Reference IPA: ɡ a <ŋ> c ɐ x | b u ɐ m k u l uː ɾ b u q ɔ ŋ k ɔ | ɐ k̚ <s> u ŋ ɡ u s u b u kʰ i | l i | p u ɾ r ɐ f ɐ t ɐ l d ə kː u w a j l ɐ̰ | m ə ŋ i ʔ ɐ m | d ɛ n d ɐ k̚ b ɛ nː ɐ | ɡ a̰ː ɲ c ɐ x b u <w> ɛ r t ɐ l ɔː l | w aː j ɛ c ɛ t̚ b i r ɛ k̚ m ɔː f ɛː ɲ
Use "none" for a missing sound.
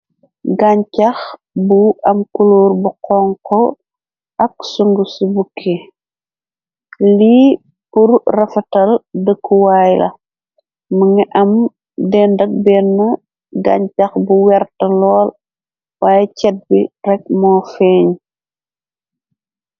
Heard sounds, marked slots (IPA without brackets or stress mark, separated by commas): ɲ, s, w